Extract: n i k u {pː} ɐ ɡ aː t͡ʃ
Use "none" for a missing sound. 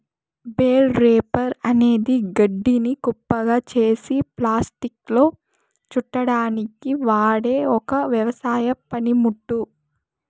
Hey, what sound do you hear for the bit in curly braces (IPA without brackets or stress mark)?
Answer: pː